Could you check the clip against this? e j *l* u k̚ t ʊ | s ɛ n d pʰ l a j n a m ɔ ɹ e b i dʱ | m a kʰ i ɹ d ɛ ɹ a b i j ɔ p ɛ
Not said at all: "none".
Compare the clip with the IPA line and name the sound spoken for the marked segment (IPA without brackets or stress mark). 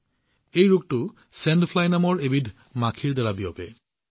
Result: ɹ